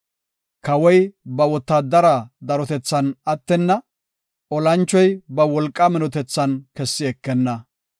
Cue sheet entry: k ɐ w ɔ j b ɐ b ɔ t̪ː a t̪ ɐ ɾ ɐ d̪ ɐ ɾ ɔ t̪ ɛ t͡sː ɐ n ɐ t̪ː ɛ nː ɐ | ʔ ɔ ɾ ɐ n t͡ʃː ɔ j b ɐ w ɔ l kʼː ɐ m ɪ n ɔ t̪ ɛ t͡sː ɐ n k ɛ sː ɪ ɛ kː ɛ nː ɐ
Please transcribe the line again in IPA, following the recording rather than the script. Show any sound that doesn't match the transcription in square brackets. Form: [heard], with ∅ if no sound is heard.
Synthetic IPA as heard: k ɐ w ɔ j b ɐ [w] ɔ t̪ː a [d̪] ɐ ɾ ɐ d̪ ɐ ɾ ɔ t̪ ɛ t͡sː ɐ n ɐ t̪ː ɛ nː ɐ | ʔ ɔ [l] ɐ n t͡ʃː ɔ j b ɐ w ɔ l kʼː ɐ m ɪ n ɔ t̪ ɛ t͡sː ɐ n k ɛ sː ɪ ɛ kː ɛ nː ɐ